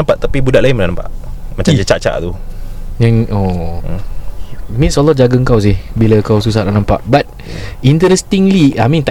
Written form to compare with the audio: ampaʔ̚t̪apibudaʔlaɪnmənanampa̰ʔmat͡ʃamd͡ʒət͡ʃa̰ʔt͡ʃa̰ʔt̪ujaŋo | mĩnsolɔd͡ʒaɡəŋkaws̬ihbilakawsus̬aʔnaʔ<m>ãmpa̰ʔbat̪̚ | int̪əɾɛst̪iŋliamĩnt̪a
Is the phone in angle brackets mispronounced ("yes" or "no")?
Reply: yes